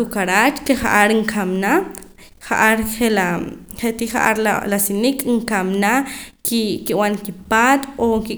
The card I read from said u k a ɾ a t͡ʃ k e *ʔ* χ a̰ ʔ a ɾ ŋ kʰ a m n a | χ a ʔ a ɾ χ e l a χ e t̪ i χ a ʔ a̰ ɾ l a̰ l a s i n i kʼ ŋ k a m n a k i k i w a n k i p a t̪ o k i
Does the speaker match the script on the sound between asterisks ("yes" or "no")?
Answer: no